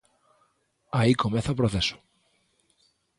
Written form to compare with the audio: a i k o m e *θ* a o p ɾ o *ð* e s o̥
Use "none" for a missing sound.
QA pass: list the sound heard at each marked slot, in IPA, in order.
θ, θ

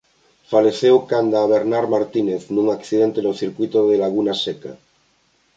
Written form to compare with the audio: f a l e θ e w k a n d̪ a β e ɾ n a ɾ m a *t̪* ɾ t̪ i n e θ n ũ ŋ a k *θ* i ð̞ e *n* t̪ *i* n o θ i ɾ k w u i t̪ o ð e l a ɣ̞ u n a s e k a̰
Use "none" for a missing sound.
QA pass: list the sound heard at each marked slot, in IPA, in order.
none, θ, n, e

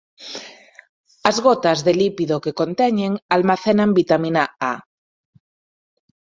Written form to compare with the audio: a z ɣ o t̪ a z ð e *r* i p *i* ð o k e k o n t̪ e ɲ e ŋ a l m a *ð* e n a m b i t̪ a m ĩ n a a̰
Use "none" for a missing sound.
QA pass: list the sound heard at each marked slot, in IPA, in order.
l, i, θ

